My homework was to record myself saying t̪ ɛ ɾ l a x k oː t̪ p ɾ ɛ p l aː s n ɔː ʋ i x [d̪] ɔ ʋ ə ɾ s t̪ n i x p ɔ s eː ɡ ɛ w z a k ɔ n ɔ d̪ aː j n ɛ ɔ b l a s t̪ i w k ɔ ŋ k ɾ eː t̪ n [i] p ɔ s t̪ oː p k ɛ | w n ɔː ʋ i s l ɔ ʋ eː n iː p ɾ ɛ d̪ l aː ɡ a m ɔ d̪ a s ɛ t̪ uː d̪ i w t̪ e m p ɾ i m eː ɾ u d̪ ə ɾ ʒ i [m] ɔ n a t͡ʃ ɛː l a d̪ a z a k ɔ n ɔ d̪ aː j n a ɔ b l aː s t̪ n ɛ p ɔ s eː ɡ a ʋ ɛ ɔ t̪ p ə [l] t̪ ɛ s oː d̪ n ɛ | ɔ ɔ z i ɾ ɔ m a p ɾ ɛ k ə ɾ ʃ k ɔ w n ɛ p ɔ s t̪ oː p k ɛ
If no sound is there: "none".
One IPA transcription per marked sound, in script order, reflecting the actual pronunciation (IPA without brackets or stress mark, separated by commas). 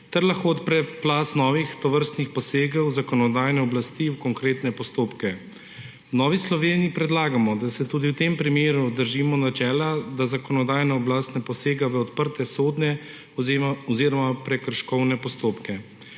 t̪, ɛ, m, ɾ